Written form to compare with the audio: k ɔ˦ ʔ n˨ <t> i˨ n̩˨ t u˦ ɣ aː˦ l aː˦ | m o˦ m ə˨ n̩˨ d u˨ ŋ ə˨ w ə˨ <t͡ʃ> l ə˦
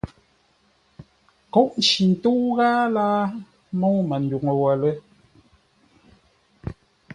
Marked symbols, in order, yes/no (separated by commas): no, no